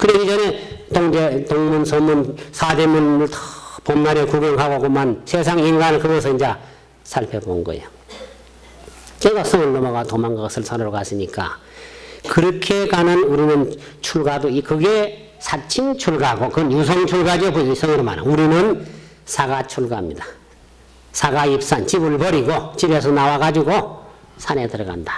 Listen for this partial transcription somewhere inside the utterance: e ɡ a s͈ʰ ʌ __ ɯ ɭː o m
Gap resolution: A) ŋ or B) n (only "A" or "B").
A